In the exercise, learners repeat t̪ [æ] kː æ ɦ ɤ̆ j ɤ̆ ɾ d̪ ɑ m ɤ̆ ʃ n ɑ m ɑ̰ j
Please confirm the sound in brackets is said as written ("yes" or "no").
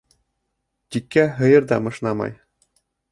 no